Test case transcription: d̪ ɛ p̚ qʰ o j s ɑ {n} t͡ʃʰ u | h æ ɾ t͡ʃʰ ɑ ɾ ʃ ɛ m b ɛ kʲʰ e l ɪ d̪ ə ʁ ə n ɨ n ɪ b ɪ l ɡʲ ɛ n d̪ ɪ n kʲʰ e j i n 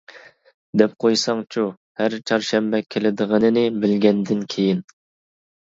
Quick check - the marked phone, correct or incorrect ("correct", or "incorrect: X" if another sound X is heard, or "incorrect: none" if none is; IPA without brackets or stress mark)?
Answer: incorrect: ŋ